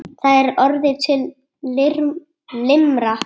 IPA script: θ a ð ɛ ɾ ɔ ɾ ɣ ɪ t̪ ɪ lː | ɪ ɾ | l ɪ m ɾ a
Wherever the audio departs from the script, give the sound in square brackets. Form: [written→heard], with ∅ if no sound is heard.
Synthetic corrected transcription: θ a ð ɛ ɾ ɔ ɾ [ɣ→ð] ɪ [t̪→t̪ʰ] ɪ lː | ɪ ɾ | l ɪ m ɾ a